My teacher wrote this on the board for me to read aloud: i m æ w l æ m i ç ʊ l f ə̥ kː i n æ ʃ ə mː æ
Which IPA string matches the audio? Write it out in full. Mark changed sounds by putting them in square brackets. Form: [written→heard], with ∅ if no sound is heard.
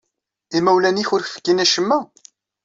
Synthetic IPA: i m æ w l æ [m→n] i ç ʊ [l→ɾ] f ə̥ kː i n æ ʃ ə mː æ